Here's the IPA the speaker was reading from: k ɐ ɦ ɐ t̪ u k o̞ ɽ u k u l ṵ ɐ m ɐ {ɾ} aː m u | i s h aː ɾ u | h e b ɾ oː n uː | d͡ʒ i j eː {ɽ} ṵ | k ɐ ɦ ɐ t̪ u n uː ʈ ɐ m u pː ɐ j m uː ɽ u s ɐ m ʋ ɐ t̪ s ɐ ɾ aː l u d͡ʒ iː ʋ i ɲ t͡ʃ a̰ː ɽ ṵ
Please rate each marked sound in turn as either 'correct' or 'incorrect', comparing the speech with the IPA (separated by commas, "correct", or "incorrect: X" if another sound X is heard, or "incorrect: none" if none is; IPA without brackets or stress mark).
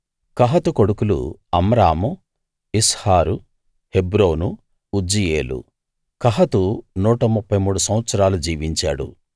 correct, incorrect: l